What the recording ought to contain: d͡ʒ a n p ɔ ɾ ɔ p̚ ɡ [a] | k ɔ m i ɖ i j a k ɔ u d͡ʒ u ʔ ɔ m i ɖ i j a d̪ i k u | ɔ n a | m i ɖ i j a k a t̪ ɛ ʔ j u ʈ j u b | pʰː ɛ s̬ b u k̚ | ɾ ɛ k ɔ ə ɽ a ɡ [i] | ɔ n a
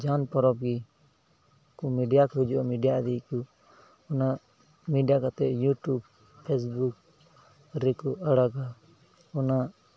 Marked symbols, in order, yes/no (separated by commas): no, no